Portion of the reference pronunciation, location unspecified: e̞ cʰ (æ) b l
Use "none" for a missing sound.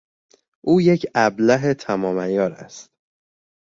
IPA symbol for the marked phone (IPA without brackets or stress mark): æ